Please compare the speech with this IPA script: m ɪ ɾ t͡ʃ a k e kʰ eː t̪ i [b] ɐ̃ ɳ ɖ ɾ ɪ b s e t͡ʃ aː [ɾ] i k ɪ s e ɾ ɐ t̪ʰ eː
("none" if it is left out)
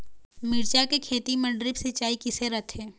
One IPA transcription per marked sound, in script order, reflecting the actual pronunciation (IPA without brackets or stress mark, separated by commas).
m, none